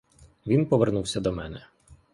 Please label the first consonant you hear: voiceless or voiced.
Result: voiced